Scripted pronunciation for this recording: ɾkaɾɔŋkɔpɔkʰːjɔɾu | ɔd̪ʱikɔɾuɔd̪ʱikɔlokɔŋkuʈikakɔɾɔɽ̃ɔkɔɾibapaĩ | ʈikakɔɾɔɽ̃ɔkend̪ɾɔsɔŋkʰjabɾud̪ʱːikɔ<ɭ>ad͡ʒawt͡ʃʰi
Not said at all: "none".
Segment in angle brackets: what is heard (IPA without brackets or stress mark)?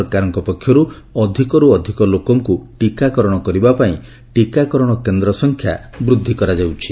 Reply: ɾ